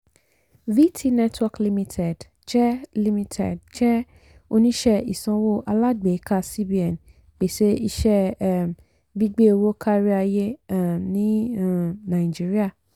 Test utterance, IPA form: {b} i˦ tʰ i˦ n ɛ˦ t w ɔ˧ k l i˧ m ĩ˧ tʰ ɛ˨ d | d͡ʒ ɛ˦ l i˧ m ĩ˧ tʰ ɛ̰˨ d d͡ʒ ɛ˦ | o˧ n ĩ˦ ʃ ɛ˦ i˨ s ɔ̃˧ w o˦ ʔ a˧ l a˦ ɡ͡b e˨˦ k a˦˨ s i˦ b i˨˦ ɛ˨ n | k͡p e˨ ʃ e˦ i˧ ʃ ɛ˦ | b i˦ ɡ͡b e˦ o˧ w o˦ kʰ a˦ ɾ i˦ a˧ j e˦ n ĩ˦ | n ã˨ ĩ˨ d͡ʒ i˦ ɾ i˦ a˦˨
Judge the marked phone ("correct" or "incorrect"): incorrect